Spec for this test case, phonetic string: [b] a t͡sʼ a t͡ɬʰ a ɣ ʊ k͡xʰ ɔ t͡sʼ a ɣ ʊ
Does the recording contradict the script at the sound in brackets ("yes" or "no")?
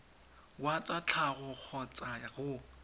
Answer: yes